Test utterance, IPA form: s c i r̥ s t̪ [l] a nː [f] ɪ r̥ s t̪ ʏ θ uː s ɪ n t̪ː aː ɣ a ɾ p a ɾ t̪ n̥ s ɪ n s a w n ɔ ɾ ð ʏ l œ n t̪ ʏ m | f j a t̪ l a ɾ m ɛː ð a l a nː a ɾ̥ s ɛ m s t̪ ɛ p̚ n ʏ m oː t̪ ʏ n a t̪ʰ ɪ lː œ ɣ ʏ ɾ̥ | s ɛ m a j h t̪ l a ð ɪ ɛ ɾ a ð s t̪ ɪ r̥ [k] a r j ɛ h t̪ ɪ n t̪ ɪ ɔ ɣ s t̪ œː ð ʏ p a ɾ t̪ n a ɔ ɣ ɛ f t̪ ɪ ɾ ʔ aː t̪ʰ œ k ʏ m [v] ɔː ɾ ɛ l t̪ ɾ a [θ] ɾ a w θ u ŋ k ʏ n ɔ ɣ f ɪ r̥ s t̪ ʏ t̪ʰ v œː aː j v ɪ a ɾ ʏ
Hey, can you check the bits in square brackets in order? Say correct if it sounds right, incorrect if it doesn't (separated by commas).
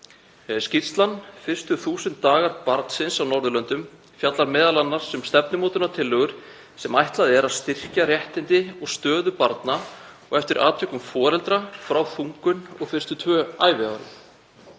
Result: correct, correct, incorrect, incorrect, incorrect